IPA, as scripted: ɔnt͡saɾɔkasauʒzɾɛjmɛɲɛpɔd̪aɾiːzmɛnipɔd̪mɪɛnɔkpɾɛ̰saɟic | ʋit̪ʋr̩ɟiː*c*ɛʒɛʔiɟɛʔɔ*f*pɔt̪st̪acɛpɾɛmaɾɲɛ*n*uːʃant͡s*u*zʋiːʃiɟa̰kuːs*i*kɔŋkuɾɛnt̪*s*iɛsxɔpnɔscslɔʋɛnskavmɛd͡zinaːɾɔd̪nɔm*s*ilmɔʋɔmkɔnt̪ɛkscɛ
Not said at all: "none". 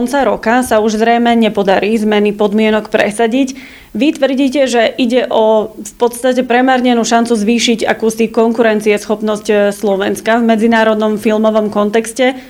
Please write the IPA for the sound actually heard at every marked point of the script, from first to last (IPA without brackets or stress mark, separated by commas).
c, f, n, u, i, t͡s, f